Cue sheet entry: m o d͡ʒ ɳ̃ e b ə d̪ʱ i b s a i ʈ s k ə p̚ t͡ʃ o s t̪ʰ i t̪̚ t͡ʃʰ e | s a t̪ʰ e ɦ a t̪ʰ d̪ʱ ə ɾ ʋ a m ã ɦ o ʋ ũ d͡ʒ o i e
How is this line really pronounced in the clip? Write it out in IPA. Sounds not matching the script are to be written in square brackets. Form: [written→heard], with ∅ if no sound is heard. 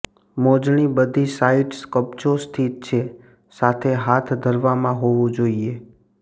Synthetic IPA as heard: m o d͡ʒ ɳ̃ [e→i] b ə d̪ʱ i [b→∅] s a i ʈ s k ə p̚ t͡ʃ o s t̪ʰ i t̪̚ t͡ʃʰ e | s a t̪ʰ e ɦ a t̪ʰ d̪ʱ ə ɾ ʋ a m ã ɦ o ʋ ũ d͡ʒ o i e